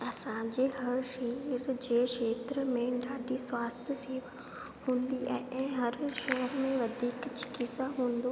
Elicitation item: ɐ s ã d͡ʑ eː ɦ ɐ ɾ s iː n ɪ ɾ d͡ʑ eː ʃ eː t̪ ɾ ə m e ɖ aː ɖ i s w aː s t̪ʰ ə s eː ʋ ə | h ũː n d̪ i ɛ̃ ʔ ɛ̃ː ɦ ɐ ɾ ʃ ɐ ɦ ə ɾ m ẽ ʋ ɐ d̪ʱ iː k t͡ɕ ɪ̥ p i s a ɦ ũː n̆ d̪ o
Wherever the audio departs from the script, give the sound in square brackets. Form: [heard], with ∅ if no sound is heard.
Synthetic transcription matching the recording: ɐ s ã d͡ʑ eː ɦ ɐ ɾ [ʃ] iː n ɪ ɾ d͡ʑ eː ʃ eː t̪ ɾ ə m [ẽ] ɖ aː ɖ i s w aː s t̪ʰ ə s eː ʋ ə | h ũː n d̪ i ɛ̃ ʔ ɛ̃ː ɦ ɐ ɾ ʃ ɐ ɦ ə ɾ m ẽ ʋ ɐ d̪ʱ iː k t͡ɕ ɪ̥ [k] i s a ɦ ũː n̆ d̪ o